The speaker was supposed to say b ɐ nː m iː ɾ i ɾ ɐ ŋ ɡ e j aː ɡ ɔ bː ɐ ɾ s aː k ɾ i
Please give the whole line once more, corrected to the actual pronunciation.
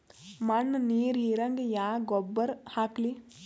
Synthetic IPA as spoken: m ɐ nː n iː ɾ i ɾ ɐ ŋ ɡ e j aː ɡ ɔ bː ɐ ɾ h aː k l i